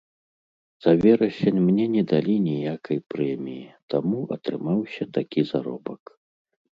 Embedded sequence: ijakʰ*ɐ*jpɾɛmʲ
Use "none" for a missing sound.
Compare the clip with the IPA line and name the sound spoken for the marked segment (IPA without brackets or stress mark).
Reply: ɐ